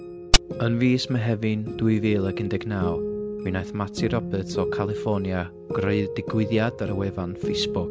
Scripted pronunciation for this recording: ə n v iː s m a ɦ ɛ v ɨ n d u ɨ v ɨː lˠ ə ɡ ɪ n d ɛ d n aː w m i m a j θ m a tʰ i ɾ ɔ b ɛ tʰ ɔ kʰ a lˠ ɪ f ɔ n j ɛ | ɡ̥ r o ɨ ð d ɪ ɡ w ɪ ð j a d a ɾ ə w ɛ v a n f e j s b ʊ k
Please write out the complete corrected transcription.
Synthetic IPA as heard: ə n v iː s m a ɦ ɛ v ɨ n d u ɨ v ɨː lˠ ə ɡ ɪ n d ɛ ɡ n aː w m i n a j θ m a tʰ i ɾ ɔ b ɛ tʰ ɔ kʰ a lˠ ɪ f ɔ n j a | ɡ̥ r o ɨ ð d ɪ ɡ w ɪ ð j a d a ɾ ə w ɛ v a n f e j s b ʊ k

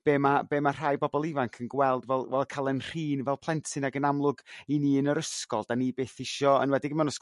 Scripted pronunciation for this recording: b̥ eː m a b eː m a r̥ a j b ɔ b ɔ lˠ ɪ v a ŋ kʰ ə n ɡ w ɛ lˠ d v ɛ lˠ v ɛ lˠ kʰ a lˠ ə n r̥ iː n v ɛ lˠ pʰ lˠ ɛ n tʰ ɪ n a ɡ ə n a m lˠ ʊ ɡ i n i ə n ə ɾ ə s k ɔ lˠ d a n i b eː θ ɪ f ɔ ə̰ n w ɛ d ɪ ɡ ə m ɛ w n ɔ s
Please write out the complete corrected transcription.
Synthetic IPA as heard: b̥ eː m a b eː m a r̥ a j b ɔ b ɔ lˠ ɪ v a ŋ kʰ ə n ɡ w ɛ lˠ d v ɛ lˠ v ɛ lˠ kʰ a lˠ ə n r̥ iː n v ɛ lˠ pʰ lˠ ɛ n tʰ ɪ n a ɡ ə n a m lˠ ʊ ɡ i n i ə n ə ɾ ə s k ɔ lˠ d a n i b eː θ ɪ ʃ ɔ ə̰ n w ɛ d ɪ ɡ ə m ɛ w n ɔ s

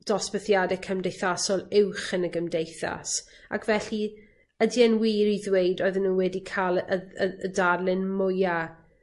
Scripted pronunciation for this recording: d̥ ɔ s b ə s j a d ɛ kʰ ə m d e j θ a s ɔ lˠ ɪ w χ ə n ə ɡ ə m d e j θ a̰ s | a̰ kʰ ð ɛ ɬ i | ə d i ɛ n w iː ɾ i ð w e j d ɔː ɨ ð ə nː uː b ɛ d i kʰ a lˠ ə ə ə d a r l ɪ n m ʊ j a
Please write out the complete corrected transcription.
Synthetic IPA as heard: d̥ ɔ s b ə θ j a d ɛ kʰ ə m d e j θ a s ɔ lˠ ɪ w χ ə n ə ɡ ə m d e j θ a̰ s | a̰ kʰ v ɛ ɬ i | ə d i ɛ n w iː ɾ i ð w e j d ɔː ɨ ð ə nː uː w ɛ d i kʰ a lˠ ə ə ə d a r l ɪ n m ʊ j a

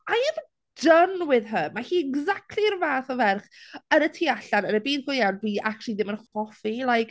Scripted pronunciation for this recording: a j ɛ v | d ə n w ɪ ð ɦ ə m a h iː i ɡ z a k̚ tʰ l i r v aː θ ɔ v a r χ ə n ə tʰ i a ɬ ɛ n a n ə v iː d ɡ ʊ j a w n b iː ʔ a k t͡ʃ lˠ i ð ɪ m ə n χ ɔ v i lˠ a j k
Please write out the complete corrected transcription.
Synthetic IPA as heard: a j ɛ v | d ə n w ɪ ð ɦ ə m a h iː ɛ ɡ z a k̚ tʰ l i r v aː θ ɔ v ɛ r χ ə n ə tʰ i a ɬ a n ə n ə b iː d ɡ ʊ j a w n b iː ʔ a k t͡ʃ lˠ i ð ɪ m ə n χ ɔ f i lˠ a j k

